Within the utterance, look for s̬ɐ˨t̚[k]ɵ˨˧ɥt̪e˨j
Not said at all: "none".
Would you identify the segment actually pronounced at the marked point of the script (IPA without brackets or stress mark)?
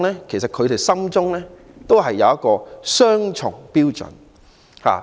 kʰ